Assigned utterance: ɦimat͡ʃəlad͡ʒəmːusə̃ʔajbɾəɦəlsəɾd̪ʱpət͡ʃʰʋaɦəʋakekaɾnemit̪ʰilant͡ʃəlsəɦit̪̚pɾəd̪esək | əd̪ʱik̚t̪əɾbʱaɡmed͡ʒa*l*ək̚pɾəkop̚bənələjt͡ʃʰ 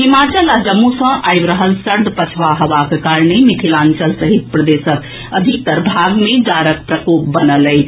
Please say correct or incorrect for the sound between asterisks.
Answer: incorrect